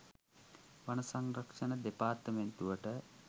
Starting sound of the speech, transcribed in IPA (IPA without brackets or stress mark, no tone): ʋ